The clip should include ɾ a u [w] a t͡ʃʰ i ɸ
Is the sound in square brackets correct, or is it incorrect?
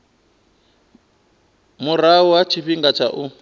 correct